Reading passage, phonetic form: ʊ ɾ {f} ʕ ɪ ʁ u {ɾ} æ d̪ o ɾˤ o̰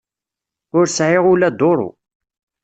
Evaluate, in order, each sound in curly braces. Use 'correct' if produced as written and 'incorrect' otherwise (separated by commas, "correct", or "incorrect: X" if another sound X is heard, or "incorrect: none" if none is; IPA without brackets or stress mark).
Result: incorrect: s, incorrect: l